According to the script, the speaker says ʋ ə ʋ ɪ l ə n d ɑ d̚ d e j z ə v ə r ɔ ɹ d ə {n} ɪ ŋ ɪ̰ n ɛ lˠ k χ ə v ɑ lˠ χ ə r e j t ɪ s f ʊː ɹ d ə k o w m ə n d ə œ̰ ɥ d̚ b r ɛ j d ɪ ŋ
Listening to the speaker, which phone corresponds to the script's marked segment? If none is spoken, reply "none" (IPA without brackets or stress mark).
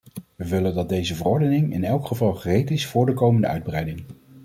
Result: n